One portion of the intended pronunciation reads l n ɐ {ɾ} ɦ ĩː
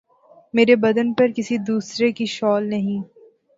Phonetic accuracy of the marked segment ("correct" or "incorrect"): incorrect